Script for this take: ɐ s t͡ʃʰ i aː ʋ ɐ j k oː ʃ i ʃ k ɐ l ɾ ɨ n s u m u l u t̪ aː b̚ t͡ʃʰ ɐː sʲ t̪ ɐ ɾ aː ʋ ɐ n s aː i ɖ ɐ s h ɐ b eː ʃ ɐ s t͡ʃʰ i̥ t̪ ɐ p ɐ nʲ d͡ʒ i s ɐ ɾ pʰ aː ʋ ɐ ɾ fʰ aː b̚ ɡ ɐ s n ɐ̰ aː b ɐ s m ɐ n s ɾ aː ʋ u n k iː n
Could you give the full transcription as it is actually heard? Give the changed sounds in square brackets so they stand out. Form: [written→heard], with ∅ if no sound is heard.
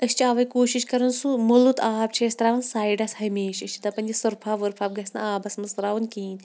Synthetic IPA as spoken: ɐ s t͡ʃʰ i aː ʋ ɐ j k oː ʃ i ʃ k ɐ [l→∅] ɾ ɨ n s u m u l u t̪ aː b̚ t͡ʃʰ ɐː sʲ t̪ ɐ ɾ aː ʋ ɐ n s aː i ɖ ɐ s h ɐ [b→m] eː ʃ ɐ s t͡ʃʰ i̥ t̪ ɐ p ɐ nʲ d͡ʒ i s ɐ ɾ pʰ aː ʋ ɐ ɾ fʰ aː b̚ ɡ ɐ s n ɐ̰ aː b ɐ s m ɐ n s ɾ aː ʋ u n k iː n